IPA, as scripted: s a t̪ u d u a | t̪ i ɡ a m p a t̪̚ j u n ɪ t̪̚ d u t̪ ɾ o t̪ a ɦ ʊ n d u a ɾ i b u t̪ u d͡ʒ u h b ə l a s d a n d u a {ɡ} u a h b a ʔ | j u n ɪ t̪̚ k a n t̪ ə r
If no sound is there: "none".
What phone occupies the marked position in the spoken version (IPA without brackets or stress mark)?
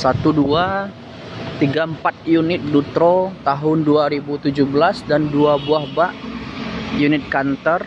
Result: b